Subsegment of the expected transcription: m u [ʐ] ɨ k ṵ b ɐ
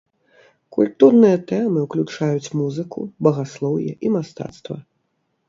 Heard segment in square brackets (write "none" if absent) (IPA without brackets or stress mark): z